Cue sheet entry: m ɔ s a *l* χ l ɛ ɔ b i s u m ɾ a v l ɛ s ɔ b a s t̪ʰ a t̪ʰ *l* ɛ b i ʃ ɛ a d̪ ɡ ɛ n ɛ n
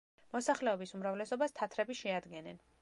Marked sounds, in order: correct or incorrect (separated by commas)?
incorrect, incorrect